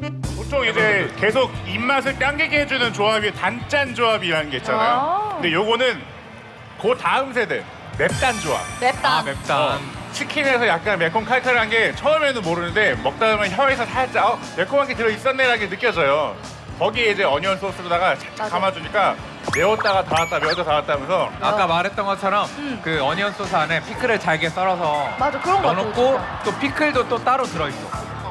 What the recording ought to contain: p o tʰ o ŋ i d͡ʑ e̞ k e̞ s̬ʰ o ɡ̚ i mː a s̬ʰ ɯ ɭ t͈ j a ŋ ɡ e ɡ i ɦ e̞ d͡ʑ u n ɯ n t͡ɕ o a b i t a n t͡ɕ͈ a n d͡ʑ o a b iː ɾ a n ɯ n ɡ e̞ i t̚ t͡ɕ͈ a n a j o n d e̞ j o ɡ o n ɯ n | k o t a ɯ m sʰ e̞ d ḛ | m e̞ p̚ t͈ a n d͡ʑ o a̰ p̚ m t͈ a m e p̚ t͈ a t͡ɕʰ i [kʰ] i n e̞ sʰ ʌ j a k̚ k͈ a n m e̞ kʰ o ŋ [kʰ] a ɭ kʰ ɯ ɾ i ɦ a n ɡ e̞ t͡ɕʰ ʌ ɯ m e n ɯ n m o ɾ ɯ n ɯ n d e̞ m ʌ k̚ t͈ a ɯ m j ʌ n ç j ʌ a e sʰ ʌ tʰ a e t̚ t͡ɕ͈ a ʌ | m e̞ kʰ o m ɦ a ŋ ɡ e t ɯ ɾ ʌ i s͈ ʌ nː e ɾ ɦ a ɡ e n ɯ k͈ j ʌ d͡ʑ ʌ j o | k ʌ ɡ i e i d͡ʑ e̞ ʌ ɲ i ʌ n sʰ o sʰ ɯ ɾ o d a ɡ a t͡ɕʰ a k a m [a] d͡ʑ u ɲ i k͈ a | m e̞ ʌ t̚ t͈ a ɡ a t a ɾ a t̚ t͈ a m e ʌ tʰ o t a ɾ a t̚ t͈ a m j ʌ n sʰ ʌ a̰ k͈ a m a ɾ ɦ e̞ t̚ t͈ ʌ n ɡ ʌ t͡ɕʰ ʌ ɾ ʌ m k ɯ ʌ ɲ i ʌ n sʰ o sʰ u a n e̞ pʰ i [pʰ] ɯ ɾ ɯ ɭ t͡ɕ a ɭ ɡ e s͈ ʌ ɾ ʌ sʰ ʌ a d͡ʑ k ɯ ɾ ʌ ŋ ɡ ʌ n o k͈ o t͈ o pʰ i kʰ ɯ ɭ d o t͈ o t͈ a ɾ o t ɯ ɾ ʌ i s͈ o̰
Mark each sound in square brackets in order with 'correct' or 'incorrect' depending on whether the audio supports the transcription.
correct, correct, correct, incorrect

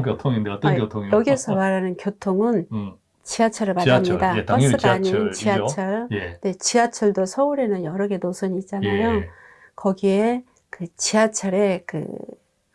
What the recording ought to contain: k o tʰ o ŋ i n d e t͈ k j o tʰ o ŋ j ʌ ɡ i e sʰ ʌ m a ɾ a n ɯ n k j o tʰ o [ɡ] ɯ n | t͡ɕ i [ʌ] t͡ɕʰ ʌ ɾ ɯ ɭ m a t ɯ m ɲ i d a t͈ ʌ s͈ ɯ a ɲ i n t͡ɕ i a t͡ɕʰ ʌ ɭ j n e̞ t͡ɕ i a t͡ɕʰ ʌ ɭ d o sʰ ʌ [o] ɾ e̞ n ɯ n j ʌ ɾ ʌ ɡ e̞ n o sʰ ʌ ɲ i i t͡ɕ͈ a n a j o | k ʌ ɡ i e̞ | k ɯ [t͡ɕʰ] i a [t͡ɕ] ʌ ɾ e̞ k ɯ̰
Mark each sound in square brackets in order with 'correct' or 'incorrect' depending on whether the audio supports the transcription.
incorrect, incorrect, incorrect, incorrect, incorrect

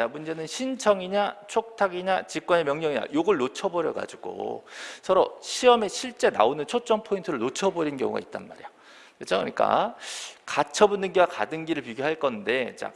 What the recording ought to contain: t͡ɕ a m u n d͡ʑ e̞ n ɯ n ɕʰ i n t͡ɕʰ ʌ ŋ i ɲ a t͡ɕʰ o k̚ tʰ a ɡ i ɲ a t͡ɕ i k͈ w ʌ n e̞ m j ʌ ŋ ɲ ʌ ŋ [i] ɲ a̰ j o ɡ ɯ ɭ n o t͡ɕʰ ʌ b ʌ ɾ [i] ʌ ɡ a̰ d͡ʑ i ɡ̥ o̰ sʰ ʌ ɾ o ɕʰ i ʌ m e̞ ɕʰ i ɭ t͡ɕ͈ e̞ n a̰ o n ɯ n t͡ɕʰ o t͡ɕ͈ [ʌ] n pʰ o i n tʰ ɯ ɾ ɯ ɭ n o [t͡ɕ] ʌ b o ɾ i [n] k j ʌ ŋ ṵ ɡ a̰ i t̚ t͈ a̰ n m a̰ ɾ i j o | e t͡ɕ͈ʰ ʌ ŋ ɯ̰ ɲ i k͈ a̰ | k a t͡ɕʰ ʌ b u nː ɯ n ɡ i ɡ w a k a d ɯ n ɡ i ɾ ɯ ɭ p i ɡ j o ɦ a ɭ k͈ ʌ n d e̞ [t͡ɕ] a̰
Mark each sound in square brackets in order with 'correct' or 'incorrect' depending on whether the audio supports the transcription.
correct, incorrect, correct, incorrect, correct, correct

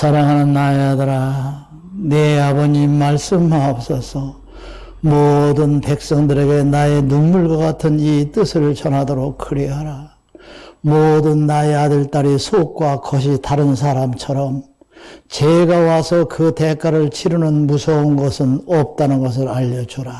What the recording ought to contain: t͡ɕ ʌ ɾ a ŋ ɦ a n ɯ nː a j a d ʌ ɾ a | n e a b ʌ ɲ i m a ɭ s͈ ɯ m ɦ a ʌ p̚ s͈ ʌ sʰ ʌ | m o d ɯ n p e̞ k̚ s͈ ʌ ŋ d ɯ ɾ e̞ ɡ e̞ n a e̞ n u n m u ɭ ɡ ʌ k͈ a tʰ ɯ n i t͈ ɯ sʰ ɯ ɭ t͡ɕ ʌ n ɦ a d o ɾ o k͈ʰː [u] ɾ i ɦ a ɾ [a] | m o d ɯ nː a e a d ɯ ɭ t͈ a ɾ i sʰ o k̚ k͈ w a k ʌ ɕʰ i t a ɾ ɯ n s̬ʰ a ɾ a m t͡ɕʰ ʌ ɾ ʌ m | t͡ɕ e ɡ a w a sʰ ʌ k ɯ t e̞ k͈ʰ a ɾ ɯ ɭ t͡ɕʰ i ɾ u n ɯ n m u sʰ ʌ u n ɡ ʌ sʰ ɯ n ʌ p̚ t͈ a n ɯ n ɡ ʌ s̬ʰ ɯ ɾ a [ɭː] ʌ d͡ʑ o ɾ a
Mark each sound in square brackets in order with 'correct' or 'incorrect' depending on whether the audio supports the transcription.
incorrect, correct, incorrect

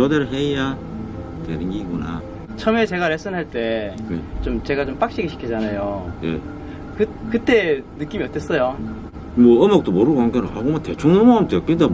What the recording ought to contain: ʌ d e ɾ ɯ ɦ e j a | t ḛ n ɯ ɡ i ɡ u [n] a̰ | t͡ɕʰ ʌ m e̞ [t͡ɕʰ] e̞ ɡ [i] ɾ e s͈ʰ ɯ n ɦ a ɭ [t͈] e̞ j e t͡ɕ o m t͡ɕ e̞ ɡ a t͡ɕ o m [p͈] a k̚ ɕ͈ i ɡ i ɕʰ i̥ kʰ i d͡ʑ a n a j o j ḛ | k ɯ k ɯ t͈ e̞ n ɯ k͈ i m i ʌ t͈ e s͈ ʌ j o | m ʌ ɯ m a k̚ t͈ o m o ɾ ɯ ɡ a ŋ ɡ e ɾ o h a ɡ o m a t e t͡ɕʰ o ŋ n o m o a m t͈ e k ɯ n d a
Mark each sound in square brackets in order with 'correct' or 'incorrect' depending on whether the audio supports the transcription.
correct, incorrect, incorrect, correct, correct

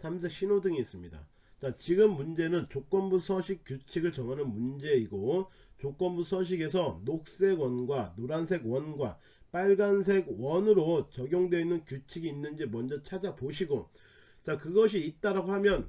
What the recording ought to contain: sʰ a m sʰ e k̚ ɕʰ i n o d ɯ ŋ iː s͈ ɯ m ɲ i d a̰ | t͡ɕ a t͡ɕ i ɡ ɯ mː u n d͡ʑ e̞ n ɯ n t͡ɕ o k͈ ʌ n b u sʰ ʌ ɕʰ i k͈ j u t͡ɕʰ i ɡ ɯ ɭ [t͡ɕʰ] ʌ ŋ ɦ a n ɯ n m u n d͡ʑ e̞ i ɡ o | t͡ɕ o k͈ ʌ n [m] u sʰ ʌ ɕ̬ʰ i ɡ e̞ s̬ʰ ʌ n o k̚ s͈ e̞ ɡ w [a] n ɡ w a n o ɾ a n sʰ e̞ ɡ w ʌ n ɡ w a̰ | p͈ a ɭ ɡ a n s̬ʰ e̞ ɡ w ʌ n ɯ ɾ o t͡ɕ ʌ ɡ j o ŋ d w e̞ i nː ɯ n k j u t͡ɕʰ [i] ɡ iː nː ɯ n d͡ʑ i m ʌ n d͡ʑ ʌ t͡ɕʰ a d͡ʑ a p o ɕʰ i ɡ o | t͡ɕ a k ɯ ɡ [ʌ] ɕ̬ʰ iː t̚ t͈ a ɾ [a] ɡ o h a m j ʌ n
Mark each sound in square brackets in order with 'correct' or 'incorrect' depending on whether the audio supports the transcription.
incorrect, incorrect, incorrect, correct, correct, correct

